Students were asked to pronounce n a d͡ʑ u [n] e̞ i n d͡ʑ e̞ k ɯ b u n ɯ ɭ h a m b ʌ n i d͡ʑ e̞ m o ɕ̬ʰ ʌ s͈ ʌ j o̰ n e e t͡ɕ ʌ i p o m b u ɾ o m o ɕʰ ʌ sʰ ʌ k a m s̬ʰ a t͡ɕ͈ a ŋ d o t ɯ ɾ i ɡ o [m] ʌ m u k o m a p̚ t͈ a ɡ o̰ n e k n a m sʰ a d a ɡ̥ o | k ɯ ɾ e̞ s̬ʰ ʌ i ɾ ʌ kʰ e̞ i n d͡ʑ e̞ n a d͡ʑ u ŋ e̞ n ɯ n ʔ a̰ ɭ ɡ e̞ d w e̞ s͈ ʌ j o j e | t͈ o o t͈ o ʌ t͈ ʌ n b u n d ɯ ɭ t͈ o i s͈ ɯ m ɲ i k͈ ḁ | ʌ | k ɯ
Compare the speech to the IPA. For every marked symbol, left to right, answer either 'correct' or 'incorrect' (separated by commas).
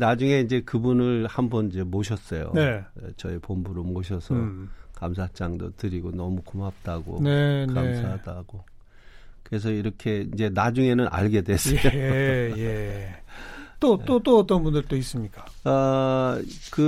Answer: incorrect, incorrect